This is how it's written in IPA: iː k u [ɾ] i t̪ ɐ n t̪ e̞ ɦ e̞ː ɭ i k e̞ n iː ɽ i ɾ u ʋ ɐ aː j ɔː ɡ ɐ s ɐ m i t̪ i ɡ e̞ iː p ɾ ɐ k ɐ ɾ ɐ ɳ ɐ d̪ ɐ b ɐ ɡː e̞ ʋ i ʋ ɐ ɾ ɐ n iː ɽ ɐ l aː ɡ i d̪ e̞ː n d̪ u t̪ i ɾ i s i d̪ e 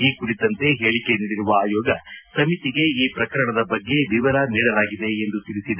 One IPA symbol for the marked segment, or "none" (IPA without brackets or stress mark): ɽ